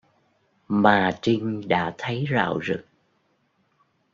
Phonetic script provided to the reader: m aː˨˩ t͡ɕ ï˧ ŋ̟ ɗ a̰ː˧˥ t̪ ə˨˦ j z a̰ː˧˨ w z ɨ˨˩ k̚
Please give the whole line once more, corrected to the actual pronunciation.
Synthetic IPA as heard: m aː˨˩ t͡ɕ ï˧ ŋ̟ ɗ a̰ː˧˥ t̪ʰ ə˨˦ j z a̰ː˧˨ w z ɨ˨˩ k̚

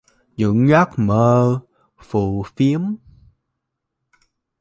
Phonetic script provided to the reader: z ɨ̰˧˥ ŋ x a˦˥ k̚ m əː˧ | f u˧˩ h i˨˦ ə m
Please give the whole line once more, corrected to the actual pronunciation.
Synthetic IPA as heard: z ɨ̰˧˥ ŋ ɣ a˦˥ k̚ m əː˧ | f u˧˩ f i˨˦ ə m

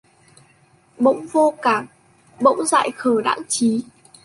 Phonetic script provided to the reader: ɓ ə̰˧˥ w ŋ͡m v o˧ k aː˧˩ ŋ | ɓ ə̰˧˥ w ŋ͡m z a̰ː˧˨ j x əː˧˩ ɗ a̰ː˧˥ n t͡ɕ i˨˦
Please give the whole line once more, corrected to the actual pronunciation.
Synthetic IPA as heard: ɓ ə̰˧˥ w ŋ͡m v o˧ k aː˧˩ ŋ | ɓ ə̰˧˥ w ŋ͡m z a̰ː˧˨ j x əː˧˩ ɗ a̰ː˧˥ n t͡ɕ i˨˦

